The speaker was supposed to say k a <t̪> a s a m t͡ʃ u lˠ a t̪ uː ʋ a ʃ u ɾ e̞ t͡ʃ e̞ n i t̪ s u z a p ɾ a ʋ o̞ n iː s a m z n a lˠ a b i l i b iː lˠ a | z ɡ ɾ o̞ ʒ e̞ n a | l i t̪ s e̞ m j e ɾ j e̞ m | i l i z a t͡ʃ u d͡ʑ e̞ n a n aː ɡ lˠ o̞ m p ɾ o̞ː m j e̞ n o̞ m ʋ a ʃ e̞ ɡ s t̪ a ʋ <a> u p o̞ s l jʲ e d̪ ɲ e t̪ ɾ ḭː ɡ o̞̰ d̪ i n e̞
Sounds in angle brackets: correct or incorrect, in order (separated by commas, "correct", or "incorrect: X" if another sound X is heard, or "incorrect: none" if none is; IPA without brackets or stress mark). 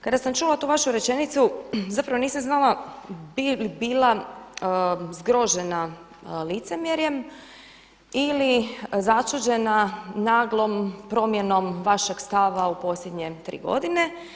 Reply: incorrect: d̪, correct